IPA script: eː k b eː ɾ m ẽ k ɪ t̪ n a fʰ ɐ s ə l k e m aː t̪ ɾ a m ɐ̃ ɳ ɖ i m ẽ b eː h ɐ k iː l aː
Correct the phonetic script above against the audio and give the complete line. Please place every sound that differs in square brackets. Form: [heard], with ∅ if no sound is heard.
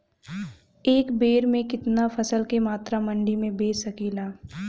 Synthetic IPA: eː k b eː ɾ m ẽ k ɪ t̪ n a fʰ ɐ s ə l k e m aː t̪ ɾ a m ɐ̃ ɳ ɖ i m ẽ b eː [s] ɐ k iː l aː